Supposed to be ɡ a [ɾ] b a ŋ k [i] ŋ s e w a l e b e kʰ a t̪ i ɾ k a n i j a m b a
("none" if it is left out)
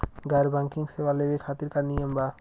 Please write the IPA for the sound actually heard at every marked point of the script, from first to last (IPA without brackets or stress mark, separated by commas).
ɾ, i